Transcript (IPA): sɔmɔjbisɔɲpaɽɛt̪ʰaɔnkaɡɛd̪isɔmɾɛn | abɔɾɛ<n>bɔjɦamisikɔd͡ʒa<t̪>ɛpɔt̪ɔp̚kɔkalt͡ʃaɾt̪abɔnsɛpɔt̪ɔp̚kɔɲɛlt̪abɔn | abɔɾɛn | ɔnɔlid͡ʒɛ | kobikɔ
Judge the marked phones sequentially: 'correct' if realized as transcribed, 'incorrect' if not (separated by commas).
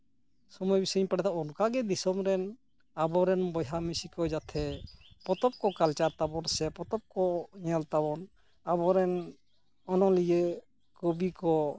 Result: correct, incorrect